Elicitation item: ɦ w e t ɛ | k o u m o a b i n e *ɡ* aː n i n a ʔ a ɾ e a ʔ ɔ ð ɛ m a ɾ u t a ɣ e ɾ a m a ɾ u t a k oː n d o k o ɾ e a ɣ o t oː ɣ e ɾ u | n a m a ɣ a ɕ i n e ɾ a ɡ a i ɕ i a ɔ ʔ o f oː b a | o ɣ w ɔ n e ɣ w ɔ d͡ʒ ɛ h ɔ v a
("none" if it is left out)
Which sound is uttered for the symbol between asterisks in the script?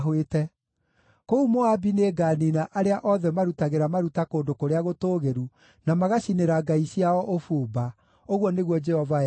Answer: ɡ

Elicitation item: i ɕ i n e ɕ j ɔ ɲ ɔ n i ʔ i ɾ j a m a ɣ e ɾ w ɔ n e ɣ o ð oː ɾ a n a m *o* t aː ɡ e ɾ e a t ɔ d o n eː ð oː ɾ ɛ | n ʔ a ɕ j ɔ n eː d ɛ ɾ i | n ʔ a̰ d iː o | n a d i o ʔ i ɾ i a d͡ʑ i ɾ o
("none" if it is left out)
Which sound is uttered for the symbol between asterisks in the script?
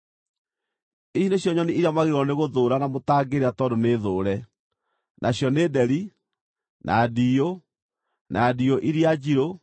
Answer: o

